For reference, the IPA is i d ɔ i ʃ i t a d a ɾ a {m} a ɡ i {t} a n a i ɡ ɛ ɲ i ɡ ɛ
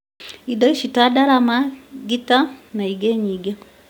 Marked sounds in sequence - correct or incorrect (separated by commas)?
correct, correct